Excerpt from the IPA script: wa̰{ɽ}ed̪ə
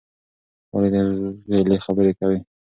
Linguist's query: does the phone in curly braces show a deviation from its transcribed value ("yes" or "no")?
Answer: yes